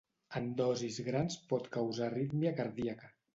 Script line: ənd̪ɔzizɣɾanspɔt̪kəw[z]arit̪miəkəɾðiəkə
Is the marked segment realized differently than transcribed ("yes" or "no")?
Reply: no